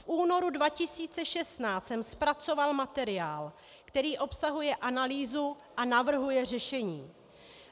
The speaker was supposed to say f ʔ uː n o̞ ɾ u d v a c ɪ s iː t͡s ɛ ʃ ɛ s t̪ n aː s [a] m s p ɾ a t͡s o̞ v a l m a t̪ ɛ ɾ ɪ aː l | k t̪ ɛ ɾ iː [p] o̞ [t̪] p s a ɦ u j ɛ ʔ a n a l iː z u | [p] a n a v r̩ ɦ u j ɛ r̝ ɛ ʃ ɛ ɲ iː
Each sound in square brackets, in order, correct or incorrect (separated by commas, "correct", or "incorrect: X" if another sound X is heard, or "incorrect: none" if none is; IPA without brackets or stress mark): incorrect: ɛ, incorrect: ʔ, incorrect: none, incorrect: ʔ